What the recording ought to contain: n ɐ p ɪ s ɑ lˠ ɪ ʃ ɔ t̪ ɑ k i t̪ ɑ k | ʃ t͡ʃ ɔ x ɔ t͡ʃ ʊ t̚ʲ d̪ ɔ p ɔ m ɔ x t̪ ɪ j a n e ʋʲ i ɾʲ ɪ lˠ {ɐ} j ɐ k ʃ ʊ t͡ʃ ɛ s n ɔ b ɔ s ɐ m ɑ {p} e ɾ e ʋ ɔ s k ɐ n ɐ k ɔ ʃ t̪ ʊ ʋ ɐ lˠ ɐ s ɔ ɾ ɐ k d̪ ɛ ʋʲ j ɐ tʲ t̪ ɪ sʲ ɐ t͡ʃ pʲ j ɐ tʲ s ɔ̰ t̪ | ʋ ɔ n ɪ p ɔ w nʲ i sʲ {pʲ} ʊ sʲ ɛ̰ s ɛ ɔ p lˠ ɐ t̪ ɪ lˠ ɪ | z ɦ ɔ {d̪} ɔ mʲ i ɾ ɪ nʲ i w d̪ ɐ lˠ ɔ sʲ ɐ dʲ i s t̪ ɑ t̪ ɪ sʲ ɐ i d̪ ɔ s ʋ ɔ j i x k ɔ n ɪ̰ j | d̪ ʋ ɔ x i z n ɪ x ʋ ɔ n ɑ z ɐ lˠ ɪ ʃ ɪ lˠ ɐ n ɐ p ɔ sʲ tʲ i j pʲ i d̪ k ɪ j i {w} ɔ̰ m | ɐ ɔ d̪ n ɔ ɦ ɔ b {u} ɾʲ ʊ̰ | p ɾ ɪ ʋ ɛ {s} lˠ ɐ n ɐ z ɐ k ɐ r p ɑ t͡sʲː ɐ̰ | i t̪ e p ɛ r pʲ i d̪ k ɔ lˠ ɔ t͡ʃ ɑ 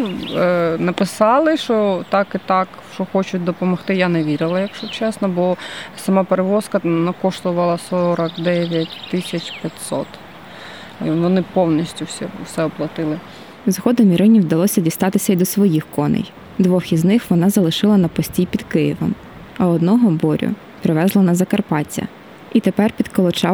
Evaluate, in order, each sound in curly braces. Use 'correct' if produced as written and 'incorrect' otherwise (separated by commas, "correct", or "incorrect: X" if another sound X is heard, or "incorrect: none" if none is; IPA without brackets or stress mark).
correct, correct, incorrect: tʲ, correct, incorrect: ʋ, incorrect: ɔ, incorrect: z